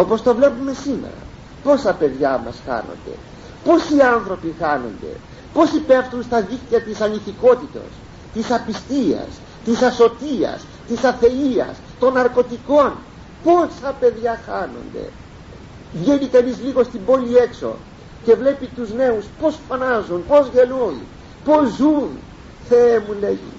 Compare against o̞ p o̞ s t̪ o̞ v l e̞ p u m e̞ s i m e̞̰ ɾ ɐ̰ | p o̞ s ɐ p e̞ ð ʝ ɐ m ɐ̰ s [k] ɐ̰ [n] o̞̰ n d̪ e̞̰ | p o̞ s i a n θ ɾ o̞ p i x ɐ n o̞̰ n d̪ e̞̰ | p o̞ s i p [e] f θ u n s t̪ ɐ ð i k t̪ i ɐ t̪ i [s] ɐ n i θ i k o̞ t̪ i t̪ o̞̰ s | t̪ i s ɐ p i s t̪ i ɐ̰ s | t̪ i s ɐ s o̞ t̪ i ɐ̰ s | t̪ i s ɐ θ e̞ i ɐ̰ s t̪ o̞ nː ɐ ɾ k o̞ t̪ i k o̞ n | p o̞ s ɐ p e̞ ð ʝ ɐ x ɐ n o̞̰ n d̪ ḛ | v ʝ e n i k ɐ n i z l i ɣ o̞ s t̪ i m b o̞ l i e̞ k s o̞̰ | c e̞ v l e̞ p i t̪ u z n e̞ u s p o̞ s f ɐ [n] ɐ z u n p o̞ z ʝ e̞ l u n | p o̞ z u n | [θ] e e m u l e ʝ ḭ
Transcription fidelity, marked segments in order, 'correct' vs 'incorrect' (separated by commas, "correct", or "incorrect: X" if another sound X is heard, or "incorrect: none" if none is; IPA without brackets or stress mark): incorrect: x, correct, correct, correct, correct, correct